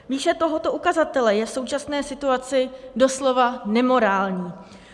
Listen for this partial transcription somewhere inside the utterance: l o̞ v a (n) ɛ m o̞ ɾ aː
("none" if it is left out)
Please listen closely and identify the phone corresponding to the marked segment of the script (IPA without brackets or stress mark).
n